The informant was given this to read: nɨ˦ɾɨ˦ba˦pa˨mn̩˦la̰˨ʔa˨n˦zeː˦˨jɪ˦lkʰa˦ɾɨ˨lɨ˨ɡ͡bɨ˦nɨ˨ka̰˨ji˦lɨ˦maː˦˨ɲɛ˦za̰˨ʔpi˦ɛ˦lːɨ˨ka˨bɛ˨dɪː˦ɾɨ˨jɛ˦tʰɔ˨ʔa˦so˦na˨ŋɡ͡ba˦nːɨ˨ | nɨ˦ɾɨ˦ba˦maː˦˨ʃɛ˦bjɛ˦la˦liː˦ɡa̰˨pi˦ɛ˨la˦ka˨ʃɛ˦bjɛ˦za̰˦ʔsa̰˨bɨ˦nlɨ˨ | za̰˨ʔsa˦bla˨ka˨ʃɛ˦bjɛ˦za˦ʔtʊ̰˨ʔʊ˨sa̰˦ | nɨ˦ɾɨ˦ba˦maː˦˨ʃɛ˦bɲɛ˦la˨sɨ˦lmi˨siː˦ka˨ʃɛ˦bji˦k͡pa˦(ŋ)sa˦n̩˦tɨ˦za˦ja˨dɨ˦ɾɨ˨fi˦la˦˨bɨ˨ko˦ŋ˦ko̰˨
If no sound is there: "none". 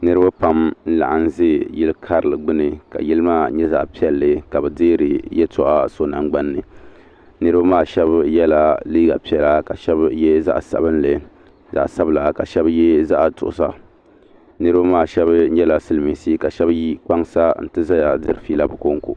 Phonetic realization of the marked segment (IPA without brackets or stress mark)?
ŋ